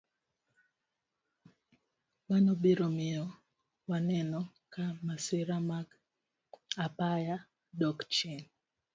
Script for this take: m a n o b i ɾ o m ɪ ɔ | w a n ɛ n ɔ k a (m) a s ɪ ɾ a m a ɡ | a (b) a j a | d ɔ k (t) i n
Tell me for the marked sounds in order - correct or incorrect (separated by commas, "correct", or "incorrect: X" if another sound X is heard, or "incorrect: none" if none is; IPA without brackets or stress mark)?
correct, incorrect: p, incorrect: t͡ʃ